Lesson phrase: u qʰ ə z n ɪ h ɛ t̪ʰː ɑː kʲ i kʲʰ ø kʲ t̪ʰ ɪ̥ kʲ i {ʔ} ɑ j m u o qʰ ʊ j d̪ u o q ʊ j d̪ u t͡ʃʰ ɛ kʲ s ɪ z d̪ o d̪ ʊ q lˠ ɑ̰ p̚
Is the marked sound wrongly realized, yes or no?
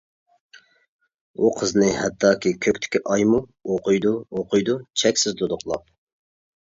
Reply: no